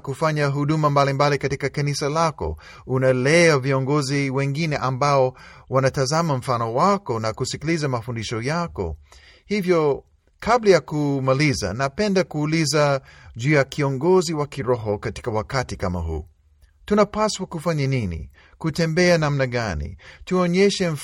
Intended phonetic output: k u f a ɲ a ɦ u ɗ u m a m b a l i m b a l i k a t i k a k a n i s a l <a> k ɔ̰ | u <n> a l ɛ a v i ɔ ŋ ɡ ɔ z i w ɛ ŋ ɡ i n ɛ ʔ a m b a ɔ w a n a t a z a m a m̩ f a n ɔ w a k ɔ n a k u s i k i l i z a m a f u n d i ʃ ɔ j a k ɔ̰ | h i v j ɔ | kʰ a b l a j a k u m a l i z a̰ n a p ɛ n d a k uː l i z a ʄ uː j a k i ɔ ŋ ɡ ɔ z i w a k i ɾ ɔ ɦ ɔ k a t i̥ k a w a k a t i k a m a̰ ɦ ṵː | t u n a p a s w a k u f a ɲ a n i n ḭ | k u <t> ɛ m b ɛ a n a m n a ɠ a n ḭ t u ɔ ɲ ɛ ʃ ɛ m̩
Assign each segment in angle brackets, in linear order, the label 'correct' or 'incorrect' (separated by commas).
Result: correct, correct, correct